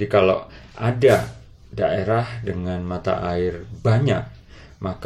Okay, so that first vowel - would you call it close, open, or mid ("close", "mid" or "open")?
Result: close